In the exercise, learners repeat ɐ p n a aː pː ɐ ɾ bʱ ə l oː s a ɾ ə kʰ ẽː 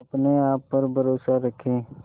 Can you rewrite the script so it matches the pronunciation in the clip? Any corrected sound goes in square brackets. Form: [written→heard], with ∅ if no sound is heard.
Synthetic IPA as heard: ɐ p n [a→e] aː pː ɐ ɾ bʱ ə [l→ɾ] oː s a ɾ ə kʰ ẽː

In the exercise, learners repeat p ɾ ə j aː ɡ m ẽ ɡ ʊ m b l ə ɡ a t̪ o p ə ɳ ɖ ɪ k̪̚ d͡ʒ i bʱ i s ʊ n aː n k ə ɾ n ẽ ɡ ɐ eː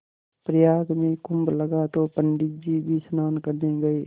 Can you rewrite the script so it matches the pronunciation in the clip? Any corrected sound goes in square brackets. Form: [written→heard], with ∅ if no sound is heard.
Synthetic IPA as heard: p ɾ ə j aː ɡ m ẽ [ɡ→k] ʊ m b l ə ɡ a t̪ o p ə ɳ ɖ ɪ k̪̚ d͡ʒ i bʱ i s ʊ n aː n k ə ɾ n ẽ ɡ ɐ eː

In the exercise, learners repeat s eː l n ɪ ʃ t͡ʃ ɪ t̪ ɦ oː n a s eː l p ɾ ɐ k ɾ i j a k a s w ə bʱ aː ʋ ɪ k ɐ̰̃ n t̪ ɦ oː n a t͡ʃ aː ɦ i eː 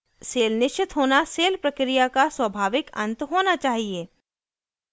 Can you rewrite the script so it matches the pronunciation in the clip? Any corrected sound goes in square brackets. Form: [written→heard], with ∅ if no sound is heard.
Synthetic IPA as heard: s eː l n ɪ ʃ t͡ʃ ɪ t̪ ɦ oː n a s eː l p ɾ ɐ k ɾ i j a k a s w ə bʱ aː ʋ ɪ k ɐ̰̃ n t̪ ɦ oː n a t͡ʃ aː ɦ i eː

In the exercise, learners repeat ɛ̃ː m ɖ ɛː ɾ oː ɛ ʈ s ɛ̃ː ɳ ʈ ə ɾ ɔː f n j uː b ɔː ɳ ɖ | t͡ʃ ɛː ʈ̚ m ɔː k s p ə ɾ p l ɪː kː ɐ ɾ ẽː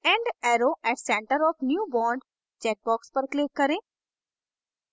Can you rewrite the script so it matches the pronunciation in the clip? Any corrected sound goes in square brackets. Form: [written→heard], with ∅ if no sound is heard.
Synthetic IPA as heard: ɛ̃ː [m→ɳ] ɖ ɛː ɾ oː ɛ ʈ s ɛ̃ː ɳ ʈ ə ɾ ɔː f n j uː b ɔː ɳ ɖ | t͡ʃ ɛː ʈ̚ [m→b] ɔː k s p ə ɾ [p→k] l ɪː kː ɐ ɾ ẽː

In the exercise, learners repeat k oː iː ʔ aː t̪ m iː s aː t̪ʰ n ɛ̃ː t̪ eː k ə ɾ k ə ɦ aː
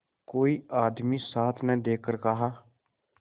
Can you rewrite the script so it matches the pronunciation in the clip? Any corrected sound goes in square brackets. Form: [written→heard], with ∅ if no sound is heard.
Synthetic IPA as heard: k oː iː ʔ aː [t̪→d̪] m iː s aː t̪ʰ n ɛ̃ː [t̪→d̪] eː k ə ɾ k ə ɦ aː

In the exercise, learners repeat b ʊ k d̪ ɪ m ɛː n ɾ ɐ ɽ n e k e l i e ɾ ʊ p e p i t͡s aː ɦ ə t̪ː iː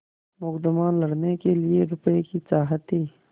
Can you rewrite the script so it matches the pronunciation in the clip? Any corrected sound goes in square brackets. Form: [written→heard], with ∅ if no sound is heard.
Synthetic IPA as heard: [b→m] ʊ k d̪ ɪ m [ɛː→aː] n [ɾ→l] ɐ ɽ n e k e l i e ɾ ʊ p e [p→k] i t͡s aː ɦ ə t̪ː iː

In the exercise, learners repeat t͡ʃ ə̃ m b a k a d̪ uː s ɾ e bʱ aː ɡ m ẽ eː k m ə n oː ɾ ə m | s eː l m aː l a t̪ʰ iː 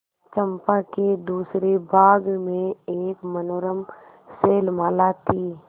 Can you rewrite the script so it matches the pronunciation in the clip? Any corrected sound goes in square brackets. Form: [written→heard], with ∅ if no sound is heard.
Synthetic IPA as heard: t͡ʃ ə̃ m [b→p] a k [a→e] d̪ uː s ɾ e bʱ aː ɡ m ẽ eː k m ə n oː ɾ ə m | s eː l m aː l a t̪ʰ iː

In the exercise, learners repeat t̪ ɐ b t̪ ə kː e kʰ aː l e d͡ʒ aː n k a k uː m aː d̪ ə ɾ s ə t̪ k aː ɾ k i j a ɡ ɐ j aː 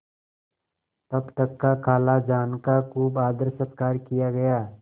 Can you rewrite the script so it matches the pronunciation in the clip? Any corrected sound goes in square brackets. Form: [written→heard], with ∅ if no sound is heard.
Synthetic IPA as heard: t̪ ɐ b t̪ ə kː [e→a] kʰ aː l [e→a] d͡ʒ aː n k a k uː [m→b] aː d̪ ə ɾ s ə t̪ k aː ɾ k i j a ɡ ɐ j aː

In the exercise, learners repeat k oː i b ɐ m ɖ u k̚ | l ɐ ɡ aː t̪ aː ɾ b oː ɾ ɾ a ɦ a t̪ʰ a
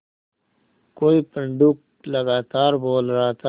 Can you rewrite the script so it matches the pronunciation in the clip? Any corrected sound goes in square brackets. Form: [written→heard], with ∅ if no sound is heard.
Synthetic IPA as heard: k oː i [b→p] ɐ [m→ɳ] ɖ u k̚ | l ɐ ɡ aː t̪ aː ɾ b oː [ɾ→l] ɾ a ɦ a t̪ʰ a

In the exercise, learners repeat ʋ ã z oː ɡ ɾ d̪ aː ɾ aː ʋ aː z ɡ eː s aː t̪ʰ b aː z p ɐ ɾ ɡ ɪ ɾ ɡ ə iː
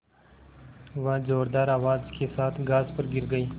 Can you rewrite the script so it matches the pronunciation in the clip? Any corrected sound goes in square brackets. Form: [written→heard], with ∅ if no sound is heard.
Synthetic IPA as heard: ʋ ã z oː [ɡ→∅] ɾ d̪ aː ɾ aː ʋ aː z [ɡ→k] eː s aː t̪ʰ [b→ɡ] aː z p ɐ ɾ ɡ ɪ ɾ ɡ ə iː

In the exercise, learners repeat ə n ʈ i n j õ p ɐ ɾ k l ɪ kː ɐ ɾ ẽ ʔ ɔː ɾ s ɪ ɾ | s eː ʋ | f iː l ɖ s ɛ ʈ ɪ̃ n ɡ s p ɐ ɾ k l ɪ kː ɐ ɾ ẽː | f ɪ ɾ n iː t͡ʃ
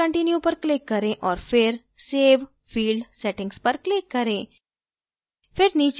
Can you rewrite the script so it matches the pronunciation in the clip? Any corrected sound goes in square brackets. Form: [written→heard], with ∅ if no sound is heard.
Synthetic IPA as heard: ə [n→ɳ] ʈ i n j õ p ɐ ɾ k l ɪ kː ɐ ɾ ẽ ʔ ɔː ɾ [s→f] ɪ ɾ | s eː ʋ | f iː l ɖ s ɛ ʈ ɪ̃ [n→ŋ] ɡ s p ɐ ɾ k l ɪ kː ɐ ɾ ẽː | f ɪ ɾ n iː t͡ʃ

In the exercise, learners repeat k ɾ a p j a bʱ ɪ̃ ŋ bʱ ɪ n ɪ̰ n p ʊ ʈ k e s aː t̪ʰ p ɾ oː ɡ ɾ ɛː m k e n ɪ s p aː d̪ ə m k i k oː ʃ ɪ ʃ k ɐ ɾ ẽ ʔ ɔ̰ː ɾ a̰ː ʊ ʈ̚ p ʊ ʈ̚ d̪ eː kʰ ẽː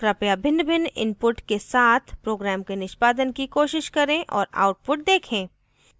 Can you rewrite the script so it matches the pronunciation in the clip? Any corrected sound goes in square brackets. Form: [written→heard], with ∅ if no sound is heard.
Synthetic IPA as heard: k ɾ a p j a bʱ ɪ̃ [ŋ→n] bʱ ɪ n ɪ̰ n p ʊ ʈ k e s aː t̪ʰ p ɾ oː ɡ ɾ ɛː m k e n ɪ [s→ʃ] p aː d̪ ə [m→n] k i k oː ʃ ɪ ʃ k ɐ ɾ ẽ ʔ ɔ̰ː ɾ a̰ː ʊ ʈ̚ p ʊ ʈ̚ d̪ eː kʰ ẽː

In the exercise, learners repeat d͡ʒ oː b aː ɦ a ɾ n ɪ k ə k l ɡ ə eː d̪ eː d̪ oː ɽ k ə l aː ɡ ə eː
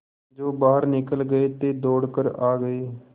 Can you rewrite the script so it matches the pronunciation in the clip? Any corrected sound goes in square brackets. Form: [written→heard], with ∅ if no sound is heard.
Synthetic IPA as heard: d͡ʒ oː b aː ɦ [a→ə] ɾ n ɪ k ə [k→∅] l ɡ ə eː [d̪→t̪] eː d̪ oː ɽ k ə [l→ɾ] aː ɡ ə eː

